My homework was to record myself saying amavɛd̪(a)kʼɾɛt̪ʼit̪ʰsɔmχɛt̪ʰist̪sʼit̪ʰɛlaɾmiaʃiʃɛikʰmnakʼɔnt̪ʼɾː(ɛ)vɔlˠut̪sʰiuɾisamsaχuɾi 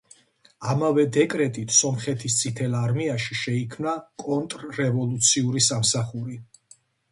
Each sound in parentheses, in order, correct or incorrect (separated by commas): incorrect, correct